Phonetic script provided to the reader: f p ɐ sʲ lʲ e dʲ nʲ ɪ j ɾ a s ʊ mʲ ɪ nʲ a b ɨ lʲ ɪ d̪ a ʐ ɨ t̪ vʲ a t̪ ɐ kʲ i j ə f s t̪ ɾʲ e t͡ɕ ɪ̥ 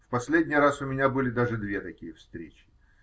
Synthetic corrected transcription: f p ɐ sʲ lʲ e dʲ nʲ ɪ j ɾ a s ʊ mʲ ɪ nʲ a b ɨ lʲ ɪ d̪ a ʐ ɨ d̪ vʲ e t̪ ɐ kʲ i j ə f s t̪ ɾʲ e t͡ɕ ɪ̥